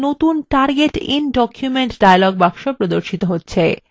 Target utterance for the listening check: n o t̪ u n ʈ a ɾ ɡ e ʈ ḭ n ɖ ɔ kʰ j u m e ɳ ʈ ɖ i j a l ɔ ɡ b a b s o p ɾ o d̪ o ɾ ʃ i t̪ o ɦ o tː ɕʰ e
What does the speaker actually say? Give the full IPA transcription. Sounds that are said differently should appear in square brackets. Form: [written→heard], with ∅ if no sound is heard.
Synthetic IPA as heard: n o t̪ u n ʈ a ɾ ɡ e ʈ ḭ n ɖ ɔ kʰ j u m e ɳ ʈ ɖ [i→a] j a l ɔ ɡ b a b [s→ʃ] o p ɾ o d̪ o ɾ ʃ i t̪ o ɦ o tː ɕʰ e